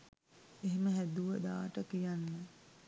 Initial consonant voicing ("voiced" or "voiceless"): voiced